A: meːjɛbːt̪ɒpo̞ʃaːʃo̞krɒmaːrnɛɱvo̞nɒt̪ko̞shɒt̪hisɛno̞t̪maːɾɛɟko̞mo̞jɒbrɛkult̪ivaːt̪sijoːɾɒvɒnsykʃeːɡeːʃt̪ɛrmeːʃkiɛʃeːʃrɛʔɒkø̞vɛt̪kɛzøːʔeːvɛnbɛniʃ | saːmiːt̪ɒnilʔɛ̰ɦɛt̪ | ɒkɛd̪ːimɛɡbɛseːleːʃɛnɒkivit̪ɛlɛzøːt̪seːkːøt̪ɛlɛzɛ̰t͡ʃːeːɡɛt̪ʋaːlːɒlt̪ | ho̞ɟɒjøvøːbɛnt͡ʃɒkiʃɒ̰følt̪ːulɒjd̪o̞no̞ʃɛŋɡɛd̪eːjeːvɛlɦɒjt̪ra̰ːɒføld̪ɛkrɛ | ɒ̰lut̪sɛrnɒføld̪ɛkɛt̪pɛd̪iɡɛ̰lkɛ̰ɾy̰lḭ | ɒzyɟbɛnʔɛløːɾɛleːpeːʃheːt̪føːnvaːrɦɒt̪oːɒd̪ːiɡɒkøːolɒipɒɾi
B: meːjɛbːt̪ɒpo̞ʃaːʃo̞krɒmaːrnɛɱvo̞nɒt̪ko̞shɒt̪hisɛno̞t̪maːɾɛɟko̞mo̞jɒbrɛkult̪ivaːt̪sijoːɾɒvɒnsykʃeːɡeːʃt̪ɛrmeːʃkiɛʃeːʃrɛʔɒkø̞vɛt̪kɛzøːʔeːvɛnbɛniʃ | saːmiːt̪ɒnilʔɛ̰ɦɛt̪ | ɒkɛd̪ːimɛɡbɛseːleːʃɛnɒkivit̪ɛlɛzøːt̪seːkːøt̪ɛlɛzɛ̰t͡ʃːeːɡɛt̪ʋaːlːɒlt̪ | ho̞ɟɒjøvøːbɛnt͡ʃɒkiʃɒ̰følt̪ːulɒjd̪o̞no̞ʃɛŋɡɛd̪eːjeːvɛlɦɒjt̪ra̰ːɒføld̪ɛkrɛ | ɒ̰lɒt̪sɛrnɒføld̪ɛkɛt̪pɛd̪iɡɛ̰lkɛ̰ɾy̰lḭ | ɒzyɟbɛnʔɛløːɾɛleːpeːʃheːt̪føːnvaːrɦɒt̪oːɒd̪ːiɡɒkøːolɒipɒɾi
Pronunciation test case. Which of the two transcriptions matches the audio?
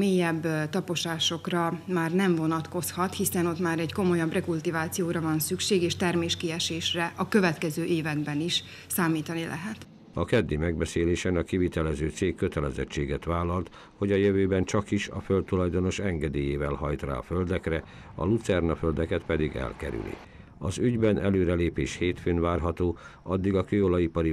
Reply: A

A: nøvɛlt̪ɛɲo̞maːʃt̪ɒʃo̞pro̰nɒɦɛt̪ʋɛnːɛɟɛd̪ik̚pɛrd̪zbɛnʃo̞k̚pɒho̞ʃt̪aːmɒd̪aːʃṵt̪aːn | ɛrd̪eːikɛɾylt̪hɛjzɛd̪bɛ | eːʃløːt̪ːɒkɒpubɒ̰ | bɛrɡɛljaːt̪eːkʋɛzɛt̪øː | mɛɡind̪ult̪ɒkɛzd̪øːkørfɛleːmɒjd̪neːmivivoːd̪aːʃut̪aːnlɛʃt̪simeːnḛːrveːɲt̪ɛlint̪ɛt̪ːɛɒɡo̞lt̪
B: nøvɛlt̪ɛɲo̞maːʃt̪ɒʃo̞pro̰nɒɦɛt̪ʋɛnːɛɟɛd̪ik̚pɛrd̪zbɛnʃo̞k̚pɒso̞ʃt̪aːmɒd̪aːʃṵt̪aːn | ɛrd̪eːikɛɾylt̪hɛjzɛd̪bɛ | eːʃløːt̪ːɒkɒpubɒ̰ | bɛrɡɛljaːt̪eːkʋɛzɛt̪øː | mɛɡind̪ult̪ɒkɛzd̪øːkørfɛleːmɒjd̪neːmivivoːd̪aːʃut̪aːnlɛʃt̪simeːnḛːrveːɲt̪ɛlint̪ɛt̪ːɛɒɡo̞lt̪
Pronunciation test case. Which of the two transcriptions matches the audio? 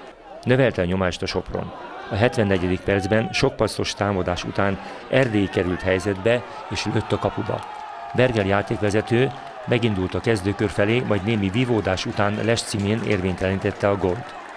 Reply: B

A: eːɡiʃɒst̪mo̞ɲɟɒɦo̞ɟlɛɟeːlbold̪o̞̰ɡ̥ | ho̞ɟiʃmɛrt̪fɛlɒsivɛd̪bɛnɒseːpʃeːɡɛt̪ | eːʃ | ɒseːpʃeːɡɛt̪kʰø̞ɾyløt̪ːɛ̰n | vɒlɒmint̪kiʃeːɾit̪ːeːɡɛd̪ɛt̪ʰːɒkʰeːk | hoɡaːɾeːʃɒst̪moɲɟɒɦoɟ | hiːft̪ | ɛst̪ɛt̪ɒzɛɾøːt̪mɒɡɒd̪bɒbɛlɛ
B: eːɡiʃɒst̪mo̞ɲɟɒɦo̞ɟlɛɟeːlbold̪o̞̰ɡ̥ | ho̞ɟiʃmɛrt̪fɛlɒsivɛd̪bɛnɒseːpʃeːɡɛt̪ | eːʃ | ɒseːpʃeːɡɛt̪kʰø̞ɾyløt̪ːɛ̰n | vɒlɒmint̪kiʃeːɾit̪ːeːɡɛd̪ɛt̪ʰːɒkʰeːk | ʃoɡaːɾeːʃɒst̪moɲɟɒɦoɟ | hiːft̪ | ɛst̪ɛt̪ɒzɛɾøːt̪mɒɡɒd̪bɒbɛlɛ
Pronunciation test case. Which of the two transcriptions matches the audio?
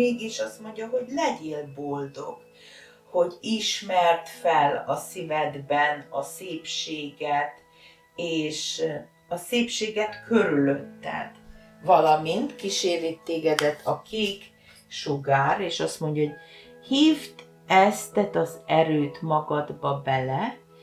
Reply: B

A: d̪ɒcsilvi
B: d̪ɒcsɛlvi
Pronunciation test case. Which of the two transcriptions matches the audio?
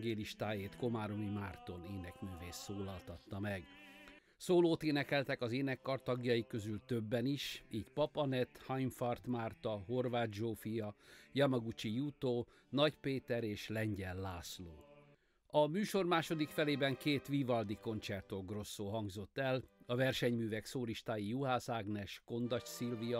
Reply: A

